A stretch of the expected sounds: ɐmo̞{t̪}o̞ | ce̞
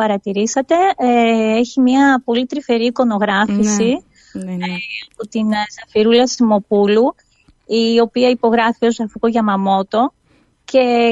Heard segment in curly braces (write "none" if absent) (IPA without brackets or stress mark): t̪